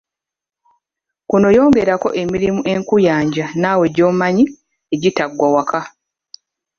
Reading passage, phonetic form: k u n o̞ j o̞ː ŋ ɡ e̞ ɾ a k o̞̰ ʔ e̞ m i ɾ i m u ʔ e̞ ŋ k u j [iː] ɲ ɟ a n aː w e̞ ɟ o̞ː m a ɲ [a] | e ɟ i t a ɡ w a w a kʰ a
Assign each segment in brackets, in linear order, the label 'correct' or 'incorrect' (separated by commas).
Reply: incorrect, incorrect